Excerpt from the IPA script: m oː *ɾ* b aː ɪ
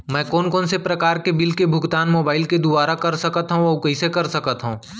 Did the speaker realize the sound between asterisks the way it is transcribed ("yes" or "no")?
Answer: no